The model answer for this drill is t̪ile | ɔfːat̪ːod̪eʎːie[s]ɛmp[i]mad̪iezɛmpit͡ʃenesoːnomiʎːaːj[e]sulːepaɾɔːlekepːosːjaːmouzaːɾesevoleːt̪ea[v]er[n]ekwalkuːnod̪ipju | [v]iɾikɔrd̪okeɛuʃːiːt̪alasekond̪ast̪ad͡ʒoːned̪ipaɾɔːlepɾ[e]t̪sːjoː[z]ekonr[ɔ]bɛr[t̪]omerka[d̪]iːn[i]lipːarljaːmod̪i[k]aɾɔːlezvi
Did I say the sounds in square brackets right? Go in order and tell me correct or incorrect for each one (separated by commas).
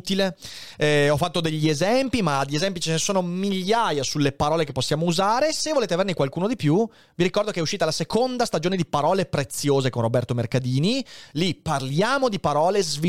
incorrect, correct, incorrect, correct, correct, correct, correct, correct, incorrect, correct, correct, correct, incorrect